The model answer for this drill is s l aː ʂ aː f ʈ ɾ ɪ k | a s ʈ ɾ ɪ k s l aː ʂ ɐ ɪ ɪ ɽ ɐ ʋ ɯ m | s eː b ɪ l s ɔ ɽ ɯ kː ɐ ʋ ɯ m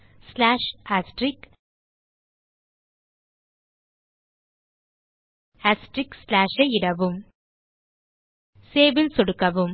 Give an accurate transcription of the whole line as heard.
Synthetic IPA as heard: s l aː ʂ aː s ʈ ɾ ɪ k | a s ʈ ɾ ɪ k s l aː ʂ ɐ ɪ ɪ ɽ ɐ ʋ ɯ m | s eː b ɪ l s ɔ ɽ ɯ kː ɐ ʋ ɯ m